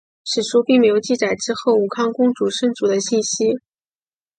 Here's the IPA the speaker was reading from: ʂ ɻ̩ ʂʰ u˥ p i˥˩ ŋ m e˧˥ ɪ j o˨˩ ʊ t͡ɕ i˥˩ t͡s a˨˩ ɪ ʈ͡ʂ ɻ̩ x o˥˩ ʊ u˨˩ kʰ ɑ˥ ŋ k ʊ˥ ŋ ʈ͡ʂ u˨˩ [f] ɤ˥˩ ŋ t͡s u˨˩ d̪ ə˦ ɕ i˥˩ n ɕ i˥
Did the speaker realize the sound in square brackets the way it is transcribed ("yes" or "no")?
no